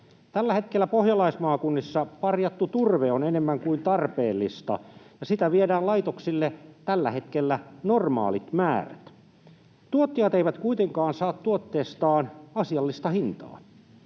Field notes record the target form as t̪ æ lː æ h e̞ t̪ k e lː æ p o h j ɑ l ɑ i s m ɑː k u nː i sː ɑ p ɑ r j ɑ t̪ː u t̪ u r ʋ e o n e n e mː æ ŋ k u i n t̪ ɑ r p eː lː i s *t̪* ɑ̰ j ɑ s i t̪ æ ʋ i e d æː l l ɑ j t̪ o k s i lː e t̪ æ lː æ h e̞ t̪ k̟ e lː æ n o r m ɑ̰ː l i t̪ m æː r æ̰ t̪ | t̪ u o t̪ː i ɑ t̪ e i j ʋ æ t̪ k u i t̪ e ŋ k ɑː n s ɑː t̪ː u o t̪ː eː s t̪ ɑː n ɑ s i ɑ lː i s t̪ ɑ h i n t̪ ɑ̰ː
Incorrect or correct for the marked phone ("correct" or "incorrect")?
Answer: correct